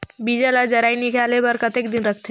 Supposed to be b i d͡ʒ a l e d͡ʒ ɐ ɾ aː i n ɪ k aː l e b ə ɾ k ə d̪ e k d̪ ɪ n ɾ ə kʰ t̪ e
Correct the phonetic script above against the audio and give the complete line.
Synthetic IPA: b i d͡ʒ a l a d͡ʒ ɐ ɾ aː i n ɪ k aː l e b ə ɾ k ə t̪ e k d̪ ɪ n ɾ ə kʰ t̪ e